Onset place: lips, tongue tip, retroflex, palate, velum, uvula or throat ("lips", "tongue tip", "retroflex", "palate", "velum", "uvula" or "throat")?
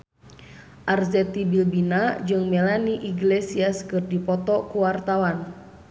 throat